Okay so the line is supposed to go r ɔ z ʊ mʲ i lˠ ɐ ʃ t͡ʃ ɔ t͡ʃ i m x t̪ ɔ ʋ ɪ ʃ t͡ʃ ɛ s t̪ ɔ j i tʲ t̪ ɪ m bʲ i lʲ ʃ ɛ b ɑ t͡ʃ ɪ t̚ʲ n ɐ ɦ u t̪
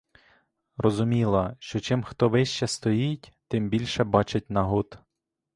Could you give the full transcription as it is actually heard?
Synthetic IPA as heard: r ɔ z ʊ mʲ i lˠ ɐ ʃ t͡ʃ ɔ t͡ʃ ɪ m x t̪ ɔ ʋ ɪ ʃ t͡ʃ ɛ s t̪ ɔ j i tʲ t̪ ɪ m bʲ i lʲ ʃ ɛ b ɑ t͡ʃ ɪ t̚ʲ n ɐ ɦ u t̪